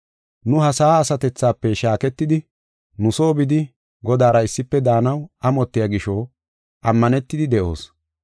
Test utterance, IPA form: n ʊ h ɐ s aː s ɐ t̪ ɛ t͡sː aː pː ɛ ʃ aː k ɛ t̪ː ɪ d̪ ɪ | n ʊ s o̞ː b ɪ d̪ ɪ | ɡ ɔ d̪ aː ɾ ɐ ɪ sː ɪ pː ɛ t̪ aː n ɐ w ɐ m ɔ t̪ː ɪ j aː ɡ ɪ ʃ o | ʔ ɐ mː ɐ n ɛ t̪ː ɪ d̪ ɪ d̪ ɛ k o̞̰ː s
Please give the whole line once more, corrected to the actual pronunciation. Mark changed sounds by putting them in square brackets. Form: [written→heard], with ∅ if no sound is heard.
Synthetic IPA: n ʊ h ɐ s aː s ɐ t̪ ɛ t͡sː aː pː ɛ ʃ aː k ɛ t̪ː ɪ d̪ ɪ | n ʊ s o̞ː b ɪ d̪ ɪ | ɡ ɔ d̪ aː ɾ ɐ ɪ sː ɪ pː ɛ [t̪→d̪] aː n ɐ w ɐ m ɔ t̪ː ɪ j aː ɡ ɪ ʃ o | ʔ ɐ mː ɐ n ɛ t̪ː ɪ d̪ ɪ d̪ ɛ [k→ʔ] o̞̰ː s